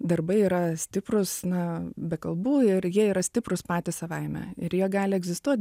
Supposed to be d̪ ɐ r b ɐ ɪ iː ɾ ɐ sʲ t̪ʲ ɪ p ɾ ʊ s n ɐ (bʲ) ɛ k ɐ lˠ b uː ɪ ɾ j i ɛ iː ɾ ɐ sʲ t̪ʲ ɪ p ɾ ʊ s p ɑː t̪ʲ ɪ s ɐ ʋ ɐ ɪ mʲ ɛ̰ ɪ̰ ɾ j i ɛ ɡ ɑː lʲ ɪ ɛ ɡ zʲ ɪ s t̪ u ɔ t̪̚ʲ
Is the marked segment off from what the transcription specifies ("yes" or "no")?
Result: no